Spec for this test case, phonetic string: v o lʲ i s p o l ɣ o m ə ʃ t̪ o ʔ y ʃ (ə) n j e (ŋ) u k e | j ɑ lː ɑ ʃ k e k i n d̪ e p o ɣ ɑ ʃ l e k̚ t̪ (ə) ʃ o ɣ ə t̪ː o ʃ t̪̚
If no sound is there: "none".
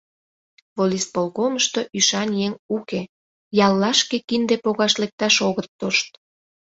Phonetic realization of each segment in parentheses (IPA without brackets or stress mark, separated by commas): ɑ, ŋ, ɑ